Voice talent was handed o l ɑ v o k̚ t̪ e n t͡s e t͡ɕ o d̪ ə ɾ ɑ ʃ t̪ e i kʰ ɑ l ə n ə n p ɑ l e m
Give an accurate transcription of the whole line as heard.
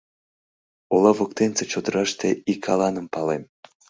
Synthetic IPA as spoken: o l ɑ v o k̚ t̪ e n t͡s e t͡ɕ o d̪ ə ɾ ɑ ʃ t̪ e i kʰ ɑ l ɑ n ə m p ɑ l e m